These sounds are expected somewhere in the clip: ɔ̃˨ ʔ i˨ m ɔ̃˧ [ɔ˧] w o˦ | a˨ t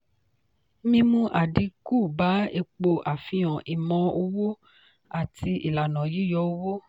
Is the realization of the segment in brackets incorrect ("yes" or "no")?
yes